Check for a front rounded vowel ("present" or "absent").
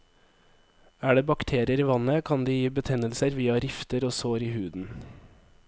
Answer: absent